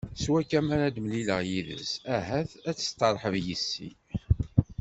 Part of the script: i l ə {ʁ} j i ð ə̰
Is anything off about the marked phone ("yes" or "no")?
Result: no